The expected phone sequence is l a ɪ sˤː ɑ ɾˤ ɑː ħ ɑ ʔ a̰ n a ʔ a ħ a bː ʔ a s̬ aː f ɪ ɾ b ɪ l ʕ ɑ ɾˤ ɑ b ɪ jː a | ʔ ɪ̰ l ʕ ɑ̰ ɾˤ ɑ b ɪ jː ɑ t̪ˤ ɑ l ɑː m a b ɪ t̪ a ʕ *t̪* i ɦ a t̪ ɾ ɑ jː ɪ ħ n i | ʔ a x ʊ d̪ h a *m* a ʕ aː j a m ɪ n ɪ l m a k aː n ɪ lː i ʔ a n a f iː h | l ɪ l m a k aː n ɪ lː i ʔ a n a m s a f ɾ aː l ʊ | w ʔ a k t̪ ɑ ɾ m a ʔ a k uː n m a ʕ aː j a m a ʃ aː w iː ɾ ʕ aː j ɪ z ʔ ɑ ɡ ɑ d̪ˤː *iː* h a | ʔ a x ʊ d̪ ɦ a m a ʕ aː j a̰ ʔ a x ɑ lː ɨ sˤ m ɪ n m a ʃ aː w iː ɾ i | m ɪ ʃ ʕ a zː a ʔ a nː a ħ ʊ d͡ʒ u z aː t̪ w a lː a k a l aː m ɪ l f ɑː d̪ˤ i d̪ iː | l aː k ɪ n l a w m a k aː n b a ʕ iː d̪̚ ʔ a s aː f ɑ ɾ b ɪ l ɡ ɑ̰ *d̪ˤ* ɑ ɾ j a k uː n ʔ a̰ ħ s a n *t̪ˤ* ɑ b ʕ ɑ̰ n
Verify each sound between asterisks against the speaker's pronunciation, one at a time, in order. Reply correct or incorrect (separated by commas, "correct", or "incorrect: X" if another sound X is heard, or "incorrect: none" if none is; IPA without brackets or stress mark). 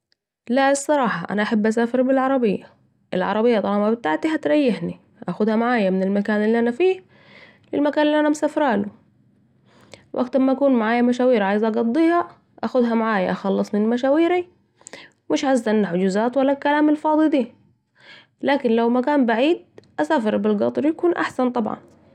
correct, correct, correct, incorrect: t̪ˤ, correct